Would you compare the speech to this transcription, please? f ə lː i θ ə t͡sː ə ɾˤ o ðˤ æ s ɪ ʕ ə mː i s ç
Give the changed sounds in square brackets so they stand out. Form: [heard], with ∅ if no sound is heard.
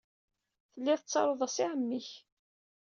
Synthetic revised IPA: [θ] ə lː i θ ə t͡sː [ɑ] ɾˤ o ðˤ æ s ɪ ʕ ə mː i [∅] ç